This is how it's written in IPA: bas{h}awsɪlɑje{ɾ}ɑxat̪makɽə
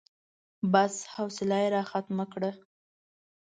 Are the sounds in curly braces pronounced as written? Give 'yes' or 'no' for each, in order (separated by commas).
yes, yes